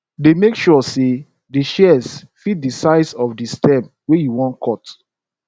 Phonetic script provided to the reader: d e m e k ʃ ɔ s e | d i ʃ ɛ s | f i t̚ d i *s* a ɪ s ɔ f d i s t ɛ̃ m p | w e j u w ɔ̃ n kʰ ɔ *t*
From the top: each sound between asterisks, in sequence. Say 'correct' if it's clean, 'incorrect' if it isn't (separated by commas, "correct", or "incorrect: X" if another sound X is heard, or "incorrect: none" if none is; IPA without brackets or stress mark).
correct, correct